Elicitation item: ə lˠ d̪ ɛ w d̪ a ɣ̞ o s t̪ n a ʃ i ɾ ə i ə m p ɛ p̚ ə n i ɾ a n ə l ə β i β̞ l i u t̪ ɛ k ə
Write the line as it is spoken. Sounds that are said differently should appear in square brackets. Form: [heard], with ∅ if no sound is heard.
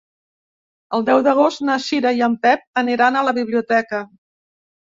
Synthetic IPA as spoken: ə lˠ d̪ ɛ w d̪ [ə] ɣ̞ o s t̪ n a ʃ i ɾ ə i ə m p ɛ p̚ ə n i ɾ a n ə l ə β i β̞ l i u t̪ ɛ k ə